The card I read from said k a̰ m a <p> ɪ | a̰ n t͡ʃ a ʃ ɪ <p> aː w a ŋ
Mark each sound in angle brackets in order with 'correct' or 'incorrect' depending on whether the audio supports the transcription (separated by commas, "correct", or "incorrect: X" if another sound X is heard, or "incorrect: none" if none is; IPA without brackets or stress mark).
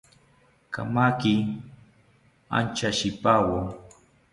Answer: incorrect: k, correct